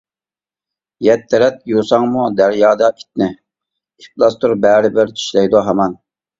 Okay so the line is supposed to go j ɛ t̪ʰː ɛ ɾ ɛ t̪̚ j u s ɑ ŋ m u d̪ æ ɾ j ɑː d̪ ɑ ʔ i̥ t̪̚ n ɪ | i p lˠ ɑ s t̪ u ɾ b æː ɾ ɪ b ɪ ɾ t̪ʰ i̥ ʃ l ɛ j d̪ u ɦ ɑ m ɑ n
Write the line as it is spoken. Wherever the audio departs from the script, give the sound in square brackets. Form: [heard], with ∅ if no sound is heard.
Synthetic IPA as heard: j ɛ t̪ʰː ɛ ɾ ɛ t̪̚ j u s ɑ ŋ m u d̪ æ ɾ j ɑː d̪ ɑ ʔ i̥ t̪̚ n ɪ | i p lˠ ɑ s t̪ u ɾ b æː ɾ ɪ b ɪ ɾ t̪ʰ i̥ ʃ l ɛ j d̪ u ɦ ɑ m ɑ n